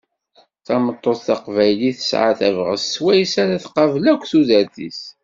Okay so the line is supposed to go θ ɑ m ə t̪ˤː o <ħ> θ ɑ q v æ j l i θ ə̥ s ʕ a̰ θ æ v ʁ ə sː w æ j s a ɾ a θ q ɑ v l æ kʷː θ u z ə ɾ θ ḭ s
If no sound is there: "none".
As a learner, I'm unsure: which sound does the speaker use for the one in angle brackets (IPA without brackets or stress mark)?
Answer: θ